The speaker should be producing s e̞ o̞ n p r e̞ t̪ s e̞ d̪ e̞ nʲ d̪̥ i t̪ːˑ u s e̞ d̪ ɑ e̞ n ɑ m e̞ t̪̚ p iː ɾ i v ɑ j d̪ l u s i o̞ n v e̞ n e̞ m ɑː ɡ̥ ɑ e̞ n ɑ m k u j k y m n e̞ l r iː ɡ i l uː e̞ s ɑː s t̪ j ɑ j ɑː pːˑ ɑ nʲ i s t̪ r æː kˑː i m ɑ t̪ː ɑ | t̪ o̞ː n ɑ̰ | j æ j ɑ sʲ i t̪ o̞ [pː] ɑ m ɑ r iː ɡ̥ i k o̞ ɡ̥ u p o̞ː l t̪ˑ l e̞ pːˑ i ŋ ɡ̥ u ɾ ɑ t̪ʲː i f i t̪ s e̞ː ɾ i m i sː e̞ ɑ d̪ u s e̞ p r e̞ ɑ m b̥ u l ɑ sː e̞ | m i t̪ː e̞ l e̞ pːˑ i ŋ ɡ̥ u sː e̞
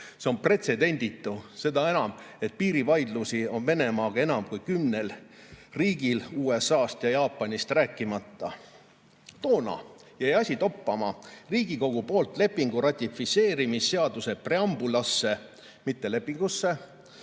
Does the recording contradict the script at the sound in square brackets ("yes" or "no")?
no